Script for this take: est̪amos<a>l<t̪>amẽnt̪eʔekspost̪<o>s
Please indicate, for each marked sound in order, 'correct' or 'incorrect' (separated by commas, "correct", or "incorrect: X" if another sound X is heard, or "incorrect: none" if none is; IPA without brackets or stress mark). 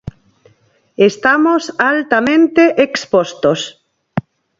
correct, correct, correct